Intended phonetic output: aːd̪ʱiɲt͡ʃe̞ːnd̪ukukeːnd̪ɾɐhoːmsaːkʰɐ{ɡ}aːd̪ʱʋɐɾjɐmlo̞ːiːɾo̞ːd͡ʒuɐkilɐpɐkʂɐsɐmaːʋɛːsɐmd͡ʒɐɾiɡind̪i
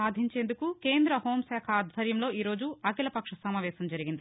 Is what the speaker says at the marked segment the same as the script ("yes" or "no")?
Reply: no